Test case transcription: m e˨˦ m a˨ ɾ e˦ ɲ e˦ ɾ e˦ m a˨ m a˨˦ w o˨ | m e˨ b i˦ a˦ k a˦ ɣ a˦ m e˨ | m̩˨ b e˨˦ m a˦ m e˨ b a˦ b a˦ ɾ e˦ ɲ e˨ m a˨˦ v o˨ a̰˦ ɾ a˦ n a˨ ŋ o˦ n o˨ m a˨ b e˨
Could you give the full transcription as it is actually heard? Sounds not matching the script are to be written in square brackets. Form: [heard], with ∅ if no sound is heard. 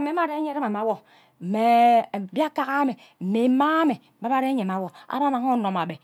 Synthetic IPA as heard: m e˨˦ m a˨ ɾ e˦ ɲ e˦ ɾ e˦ m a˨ m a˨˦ w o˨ | m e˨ b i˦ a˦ k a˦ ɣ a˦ m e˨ | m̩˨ [m] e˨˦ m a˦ m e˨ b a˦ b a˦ ɾ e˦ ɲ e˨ m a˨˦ [w] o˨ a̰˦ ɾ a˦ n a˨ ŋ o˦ n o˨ m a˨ b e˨